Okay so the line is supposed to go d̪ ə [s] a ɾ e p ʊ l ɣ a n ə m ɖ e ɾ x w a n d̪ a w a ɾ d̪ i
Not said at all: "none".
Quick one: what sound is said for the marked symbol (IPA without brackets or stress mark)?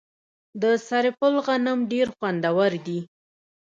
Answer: s